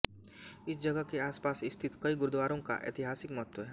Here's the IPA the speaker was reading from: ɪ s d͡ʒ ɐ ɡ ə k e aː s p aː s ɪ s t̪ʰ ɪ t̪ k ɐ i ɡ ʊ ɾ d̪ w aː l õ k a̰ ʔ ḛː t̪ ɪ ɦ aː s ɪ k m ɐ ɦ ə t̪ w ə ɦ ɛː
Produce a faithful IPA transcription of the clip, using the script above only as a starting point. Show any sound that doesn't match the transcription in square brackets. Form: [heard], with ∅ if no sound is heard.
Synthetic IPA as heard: ɪ s d͡ʒ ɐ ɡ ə k e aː s p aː s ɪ s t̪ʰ ɪ t̪ k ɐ i ɡ ʊ ɾ d̪ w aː [ɾ] õ k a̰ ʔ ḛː t̪ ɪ ɦ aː s ɪ k m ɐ ɦ ə t̪ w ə ɦ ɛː